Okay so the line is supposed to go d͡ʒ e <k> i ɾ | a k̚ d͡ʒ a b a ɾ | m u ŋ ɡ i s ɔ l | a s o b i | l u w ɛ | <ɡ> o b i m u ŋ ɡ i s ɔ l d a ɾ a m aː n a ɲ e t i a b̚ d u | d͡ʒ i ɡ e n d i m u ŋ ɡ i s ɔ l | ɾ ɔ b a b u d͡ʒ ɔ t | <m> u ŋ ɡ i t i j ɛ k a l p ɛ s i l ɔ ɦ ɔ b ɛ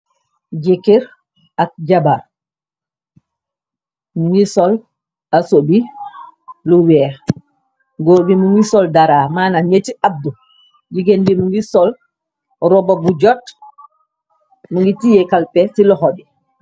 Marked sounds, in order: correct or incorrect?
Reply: correct, correct, correct

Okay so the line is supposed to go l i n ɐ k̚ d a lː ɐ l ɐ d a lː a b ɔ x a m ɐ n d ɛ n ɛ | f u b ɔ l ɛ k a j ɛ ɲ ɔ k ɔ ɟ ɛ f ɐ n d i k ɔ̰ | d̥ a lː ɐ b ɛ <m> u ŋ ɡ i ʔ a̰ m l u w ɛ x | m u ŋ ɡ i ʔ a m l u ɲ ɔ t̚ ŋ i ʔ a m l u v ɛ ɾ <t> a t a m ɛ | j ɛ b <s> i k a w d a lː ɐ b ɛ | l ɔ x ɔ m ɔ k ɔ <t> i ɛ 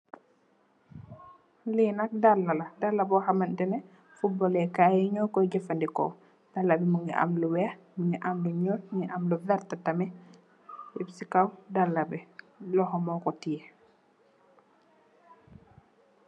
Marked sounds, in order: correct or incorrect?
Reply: correct, correct, correct, correct

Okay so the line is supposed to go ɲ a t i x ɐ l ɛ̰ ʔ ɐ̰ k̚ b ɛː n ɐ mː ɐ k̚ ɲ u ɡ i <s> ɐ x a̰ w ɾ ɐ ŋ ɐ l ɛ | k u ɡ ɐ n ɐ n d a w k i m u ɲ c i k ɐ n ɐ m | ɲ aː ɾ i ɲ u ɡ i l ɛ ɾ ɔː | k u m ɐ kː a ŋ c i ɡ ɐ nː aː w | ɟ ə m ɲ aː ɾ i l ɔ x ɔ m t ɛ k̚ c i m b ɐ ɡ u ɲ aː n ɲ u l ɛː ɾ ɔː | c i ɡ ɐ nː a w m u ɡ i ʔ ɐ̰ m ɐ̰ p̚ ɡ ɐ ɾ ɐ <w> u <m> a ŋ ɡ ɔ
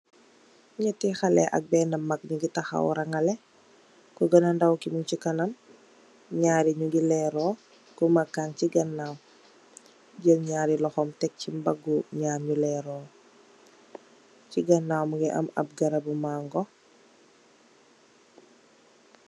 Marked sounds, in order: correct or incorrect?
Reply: incorrect, incorrect, correct

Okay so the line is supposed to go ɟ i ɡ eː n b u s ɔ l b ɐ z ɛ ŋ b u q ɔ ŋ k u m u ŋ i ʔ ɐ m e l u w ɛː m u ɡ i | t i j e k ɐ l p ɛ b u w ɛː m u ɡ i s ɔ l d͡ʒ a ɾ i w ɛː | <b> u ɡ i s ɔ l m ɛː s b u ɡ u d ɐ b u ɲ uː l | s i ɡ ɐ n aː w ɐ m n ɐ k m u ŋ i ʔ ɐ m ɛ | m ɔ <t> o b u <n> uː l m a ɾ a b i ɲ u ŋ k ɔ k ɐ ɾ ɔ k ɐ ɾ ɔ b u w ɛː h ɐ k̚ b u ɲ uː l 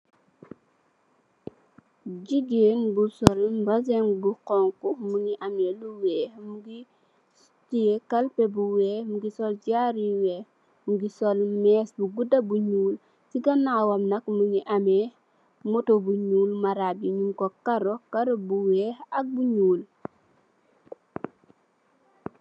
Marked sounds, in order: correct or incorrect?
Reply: incorrect, correct, incorrect

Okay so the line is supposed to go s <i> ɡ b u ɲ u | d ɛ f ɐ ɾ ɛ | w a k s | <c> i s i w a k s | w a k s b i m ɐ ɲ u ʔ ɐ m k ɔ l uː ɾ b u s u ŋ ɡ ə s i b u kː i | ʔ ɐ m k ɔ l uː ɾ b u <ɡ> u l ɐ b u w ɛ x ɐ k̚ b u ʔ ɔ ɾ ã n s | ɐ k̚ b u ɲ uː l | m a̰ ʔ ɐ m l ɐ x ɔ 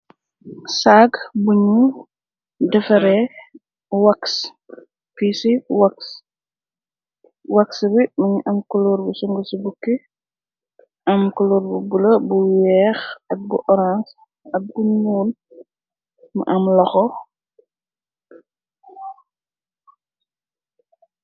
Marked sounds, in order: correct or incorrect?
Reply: incorrect, incorrect, incorrect

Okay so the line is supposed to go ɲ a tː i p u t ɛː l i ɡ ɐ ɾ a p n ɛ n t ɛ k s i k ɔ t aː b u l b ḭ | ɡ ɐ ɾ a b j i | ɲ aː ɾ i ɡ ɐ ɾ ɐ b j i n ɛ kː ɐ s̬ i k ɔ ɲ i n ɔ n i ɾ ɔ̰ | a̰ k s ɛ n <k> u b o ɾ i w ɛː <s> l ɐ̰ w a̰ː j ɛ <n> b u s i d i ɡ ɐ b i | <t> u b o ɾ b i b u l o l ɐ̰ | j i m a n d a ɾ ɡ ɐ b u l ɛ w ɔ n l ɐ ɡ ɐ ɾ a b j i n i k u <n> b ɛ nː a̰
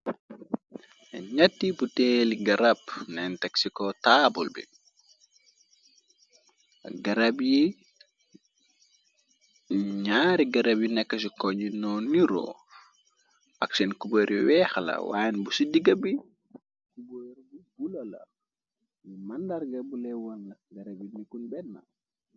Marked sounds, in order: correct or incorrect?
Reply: correct, incorrect, correct, incorrect, correct

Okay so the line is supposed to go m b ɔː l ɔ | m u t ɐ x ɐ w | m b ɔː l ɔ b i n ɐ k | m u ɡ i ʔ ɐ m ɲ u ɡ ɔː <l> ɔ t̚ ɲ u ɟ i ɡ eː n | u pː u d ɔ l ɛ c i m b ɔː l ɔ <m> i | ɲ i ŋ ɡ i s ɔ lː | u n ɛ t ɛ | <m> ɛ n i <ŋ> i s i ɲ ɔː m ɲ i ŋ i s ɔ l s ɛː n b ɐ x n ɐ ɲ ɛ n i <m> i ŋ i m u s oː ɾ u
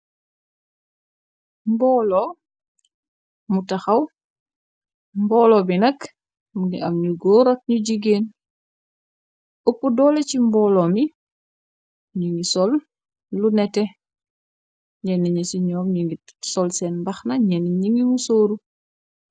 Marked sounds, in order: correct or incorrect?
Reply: incorrect, correct, incorrect, incorrect, incorrect

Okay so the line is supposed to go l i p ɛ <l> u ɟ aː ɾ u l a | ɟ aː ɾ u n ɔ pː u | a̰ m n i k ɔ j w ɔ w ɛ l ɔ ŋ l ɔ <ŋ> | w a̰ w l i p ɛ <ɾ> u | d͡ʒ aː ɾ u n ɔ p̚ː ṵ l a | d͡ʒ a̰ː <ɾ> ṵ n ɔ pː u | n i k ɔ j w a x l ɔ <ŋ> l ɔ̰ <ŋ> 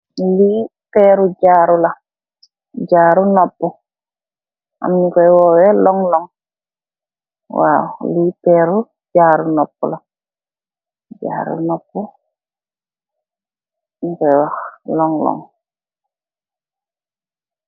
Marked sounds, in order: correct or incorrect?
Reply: incorrect, correct, correct, correct, correct, correct

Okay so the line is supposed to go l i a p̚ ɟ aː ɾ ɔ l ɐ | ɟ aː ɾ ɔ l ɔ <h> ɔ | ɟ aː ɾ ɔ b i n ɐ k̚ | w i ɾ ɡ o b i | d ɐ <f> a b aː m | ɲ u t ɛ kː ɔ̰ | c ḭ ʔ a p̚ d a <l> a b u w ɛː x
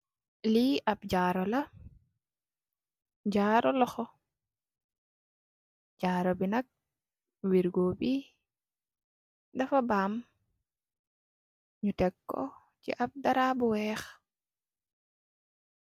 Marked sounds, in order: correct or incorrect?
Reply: incorrect, correct, incorrect

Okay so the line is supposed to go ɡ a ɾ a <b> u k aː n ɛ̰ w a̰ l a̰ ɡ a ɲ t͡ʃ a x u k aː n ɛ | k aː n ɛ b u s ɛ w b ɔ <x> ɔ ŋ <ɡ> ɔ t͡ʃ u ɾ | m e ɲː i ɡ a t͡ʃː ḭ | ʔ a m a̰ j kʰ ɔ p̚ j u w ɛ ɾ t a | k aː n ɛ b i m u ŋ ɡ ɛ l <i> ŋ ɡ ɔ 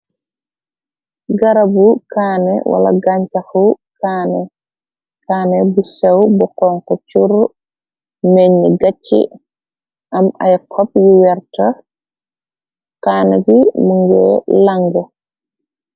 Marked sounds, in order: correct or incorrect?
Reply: correct, incorrect, incorrect, incorrect

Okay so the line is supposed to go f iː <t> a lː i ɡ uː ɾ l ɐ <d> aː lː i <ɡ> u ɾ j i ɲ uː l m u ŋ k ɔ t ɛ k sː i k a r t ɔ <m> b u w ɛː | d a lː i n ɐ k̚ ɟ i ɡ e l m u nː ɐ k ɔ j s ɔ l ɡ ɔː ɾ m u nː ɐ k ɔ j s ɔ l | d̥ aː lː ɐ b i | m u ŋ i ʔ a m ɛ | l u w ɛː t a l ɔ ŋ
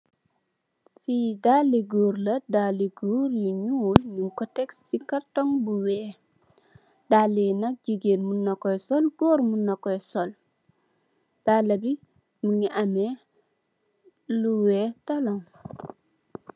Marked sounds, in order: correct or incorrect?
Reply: incorrect, correct, correct, incorrect

